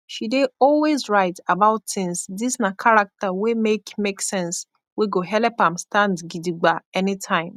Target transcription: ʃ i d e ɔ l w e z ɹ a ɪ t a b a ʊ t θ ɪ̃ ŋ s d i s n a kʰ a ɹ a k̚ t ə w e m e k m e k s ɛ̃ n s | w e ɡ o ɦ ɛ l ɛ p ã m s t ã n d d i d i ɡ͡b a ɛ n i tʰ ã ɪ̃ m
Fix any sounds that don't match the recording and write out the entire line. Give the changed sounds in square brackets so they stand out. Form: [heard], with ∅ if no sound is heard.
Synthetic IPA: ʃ i d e ɔ l w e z ɹ a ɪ t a b a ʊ t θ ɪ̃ ŋ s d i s n a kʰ a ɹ a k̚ t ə w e m e k m e k s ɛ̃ n s | w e ɡ o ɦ ɛ l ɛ p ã m s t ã n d [ɡ] i d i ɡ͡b a ɛ n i tʰ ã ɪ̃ m